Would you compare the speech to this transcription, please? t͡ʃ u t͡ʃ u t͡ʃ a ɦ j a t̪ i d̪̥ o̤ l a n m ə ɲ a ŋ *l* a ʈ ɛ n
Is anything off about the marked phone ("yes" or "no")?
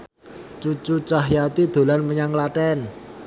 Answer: no